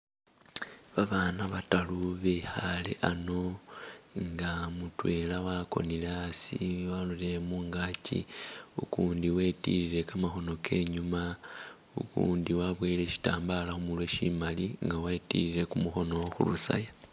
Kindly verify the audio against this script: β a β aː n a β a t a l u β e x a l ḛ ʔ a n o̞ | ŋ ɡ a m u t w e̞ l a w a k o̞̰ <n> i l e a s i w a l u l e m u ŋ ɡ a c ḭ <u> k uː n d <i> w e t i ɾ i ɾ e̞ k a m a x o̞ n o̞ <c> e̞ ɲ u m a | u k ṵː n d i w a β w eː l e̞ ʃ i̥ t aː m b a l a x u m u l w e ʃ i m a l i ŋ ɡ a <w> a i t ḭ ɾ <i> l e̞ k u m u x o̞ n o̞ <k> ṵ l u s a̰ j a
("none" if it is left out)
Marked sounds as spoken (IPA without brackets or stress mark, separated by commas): n, u, i, k, w, i, x